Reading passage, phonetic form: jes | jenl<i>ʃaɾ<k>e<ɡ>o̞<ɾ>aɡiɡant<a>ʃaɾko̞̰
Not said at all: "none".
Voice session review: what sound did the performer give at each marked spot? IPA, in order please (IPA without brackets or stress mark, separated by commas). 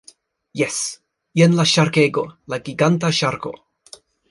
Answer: a, k, ɡ, l, a